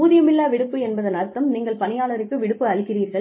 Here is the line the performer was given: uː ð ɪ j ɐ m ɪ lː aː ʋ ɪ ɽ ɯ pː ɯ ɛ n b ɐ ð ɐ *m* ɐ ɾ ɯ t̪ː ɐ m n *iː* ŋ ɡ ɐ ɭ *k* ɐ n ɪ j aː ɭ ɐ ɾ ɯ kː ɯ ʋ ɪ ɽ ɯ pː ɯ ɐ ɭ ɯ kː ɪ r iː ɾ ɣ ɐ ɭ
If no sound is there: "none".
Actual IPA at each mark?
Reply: n, iː, p

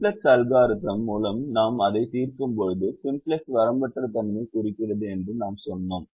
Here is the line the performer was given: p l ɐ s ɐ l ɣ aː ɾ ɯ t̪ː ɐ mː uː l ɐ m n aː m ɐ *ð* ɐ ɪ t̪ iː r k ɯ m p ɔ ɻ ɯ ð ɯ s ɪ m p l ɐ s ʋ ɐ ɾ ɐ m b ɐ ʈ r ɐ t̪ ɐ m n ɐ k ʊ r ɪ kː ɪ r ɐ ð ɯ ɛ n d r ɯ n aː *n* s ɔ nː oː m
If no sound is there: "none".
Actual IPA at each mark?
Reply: ð, m

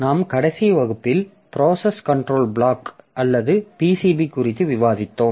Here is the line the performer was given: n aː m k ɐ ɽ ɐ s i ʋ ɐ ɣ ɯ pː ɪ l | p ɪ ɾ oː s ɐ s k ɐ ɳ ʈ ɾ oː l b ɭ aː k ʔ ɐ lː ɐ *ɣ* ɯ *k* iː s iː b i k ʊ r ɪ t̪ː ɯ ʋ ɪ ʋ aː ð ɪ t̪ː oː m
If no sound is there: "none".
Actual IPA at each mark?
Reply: ð, p

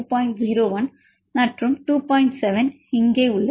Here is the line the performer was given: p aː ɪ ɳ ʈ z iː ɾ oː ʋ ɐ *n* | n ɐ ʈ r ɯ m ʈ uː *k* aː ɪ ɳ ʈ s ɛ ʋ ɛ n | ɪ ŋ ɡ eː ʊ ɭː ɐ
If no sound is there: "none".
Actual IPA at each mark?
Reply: n, p

